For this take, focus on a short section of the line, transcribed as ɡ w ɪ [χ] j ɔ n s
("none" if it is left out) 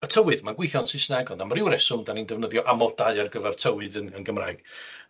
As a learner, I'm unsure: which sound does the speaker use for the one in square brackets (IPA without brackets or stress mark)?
θ